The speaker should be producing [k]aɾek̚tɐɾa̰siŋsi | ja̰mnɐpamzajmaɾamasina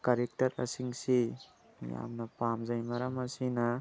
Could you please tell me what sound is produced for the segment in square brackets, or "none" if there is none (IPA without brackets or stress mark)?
k